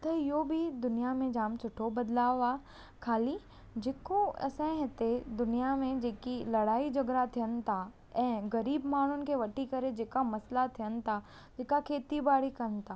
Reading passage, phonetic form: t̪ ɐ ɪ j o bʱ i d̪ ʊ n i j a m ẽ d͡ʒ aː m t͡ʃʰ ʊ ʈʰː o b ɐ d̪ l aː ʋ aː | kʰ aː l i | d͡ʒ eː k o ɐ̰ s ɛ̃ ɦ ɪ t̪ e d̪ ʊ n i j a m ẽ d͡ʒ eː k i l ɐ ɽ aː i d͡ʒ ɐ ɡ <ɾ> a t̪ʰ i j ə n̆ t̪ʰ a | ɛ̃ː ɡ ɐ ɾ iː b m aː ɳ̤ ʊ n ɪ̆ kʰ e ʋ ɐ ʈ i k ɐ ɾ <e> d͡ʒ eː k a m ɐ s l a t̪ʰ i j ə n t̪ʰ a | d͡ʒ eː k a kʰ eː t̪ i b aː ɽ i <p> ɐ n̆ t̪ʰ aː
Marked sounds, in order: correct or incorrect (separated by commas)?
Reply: correct, correct, incorrect